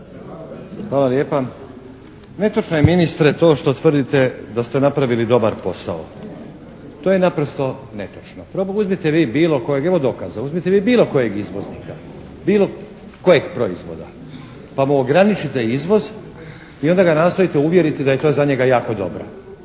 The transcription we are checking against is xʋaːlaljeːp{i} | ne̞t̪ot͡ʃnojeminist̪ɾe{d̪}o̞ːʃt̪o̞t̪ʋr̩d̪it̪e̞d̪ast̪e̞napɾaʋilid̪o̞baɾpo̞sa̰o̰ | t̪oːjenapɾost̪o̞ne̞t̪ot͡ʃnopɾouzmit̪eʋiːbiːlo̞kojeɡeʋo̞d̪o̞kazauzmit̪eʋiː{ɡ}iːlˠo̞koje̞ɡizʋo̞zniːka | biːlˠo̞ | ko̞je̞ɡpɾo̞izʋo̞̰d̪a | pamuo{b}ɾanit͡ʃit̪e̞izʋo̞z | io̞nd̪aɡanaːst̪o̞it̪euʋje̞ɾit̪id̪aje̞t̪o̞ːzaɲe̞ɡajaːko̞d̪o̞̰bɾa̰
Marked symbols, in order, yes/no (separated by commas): no, no, no, no